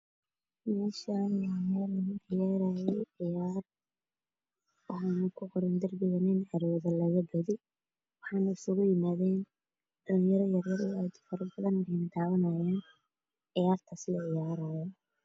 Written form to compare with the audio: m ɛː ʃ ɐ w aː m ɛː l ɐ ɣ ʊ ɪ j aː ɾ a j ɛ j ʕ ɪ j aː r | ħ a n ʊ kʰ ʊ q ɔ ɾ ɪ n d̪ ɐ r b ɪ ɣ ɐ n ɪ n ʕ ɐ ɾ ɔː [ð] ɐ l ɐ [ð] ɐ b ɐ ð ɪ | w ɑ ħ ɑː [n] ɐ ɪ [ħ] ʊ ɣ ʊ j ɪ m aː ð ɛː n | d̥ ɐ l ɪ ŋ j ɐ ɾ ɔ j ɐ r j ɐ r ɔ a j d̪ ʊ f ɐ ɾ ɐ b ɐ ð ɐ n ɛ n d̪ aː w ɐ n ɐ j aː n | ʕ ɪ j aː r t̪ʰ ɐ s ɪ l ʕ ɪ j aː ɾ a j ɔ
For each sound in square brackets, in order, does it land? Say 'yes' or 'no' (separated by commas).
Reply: yes, no, yes, no